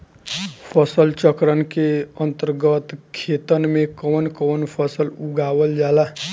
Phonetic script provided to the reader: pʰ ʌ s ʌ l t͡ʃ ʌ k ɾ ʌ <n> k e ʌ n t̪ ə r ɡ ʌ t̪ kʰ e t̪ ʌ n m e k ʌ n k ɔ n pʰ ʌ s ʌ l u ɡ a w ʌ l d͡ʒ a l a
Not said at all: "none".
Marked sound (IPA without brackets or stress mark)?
n